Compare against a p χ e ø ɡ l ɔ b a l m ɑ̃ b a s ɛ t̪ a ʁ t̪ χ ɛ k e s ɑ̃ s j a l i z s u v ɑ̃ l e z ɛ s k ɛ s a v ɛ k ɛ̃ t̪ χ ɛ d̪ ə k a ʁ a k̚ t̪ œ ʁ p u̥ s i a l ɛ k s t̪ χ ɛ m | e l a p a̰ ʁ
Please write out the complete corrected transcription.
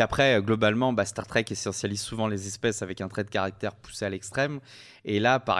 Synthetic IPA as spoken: a p χ ɛ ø ɡ l ɔ b a l m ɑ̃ b a s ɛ t̪ a ʁ t̪ χ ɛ k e s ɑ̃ s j a l i z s u v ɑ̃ l e z ɛ s p ɛ s a v ɛ k ɛ̃ t̪ χ ɛ d̪ ə k a ʁ a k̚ t̪ ɛ ʁ p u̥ s e a l ɛ k s t̪ χ ɛ m | e l a p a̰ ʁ